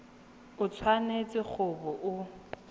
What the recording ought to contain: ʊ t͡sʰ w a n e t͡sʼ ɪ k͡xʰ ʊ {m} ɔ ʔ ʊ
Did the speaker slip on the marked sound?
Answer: yes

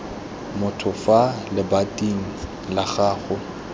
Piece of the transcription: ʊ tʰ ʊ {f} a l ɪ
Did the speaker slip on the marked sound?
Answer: no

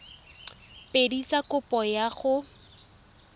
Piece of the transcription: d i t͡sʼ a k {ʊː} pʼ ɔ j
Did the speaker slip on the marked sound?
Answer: yes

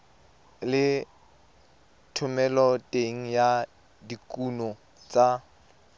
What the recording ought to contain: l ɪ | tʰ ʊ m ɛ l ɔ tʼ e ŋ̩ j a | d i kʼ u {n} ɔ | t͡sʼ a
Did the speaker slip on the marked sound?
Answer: no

